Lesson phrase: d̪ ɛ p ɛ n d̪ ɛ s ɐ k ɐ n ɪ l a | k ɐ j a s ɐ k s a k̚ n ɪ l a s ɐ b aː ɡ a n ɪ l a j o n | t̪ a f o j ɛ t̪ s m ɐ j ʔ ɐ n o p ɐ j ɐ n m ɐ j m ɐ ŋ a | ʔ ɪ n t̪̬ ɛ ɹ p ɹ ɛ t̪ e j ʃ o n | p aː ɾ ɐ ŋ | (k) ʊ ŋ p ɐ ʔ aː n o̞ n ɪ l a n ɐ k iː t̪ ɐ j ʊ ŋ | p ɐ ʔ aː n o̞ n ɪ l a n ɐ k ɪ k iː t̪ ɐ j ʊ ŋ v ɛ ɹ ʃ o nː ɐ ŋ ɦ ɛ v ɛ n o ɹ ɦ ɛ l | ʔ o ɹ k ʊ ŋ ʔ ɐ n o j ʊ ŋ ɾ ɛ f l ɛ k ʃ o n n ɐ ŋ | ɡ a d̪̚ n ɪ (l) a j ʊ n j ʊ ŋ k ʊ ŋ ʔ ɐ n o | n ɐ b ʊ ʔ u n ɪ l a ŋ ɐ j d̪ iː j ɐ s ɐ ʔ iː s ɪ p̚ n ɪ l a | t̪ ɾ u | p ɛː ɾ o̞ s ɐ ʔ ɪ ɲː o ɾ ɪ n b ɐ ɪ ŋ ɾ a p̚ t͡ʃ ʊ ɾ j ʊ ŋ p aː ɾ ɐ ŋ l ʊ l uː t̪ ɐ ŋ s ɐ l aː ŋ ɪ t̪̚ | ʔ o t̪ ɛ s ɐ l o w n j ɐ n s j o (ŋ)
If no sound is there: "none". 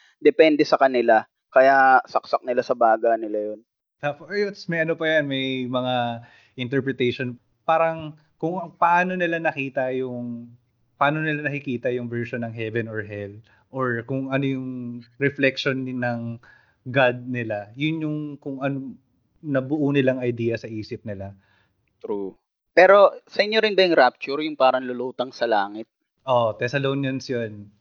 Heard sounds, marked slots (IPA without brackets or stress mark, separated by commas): k, l, n